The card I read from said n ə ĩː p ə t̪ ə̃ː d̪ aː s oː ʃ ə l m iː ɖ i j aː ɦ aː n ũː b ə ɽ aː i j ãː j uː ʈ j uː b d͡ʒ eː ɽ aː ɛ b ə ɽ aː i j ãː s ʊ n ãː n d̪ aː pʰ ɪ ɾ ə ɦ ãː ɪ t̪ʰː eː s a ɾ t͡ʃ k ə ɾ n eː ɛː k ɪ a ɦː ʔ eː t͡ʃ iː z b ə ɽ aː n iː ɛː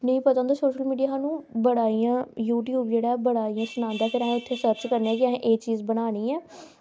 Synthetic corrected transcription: n ə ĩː p ə t̪ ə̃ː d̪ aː s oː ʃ ə l m iː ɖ i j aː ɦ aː n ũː b ə ɽ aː i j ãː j uː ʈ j uː b d͡ʒ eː ɽ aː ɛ b ə ɽ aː i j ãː s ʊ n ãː n d̪ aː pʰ ɪ ɾ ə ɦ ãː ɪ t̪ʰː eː s ə ɾ t͡ʃ k ə ɾ n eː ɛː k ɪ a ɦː ʔ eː t͡ʃ iː z b ə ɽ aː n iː ɛː